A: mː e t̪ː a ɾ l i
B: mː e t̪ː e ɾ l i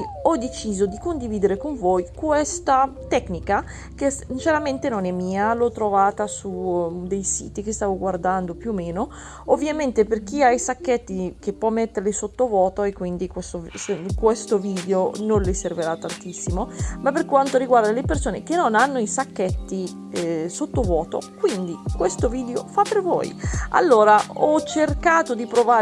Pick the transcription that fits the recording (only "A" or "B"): B